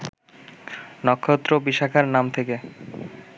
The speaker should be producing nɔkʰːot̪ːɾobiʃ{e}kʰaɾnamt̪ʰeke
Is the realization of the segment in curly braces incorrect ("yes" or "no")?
yes